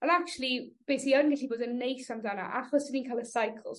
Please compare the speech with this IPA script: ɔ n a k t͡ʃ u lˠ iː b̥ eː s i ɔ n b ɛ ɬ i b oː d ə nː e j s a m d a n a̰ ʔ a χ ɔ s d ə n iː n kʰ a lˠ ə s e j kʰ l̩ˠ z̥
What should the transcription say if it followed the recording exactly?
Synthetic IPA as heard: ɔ n a k t͡ʃ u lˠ i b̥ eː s i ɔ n ɡ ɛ ɬ i b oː d ə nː e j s a m d a n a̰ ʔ a χ ɔ s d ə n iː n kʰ a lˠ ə s a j kʰ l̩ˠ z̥